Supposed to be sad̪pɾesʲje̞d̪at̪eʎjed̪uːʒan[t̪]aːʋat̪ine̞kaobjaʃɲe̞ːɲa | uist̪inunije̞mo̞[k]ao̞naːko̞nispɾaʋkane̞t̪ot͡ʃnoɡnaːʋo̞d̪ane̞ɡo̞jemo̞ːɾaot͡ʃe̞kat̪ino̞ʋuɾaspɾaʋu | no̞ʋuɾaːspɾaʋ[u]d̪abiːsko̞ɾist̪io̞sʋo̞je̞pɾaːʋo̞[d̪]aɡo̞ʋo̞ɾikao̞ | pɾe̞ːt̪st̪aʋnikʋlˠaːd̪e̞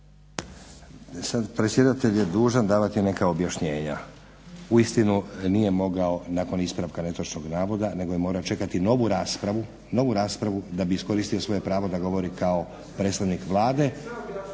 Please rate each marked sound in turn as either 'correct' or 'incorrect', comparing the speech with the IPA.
incorrect: d̪, incorrect: ɡ, correct, correct

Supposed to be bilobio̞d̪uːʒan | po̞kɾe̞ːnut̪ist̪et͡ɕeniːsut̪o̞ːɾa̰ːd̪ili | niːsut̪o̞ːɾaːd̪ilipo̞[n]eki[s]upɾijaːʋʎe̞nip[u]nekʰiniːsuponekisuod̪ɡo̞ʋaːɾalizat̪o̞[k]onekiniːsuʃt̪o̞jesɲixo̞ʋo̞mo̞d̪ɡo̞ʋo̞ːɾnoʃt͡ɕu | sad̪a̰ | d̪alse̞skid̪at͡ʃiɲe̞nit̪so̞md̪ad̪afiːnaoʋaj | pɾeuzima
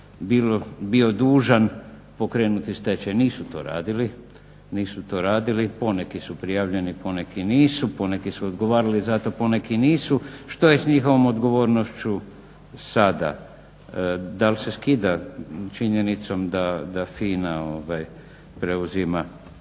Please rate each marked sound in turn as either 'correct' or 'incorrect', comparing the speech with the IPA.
correct, correct, incorrect: o, incorrect: p

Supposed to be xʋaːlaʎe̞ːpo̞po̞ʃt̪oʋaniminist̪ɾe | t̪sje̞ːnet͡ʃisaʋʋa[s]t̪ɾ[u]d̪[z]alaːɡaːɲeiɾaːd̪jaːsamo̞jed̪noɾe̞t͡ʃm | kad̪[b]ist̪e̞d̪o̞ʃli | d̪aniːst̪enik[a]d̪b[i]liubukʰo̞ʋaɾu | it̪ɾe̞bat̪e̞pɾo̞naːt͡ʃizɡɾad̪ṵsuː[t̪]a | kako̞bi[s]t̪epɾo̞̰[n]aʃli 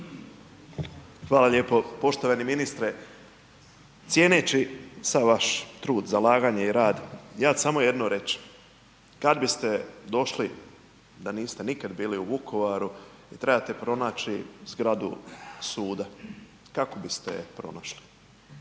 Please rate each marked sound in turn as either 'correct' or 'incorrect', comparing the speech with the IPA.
incorrect: ʃ, incorrect: uː, correct, correct, correct, incorrect: iː, incorrect: d̪, correct, correct

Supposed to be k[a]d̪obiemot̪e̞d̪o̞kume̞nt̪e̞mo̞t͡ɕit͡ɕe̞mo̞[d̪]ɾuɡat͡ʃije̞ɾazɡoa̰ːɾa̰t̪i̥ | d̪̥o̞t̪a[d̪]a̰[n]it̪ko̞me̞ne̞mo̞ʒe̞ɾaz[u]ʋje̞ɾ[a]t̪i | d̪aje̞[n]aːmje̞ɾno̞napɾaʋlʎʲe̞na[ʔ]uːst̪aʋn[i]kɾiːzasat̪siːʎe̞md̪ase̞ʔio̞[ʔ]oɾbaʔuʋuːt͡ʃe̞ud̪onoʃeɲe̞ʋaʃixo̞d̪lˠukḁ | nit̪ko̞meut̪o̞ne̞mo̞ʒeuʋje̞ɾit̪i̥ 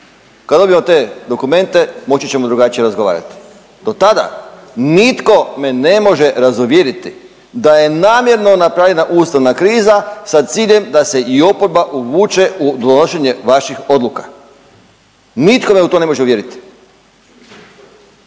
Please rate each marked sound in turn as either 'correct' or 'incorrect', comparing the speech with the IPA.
correct, correct, correct, correct, correct, incorrect: i, correct, correct, incorrect: a, incorrect: p

